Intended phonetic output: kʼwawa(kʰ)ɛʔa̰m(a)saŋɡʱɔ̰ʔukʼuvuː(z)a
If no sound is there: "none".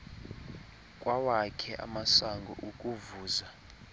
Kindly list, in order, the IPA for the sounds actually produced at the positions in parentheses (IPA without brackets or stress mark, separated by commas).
kʰ, a, z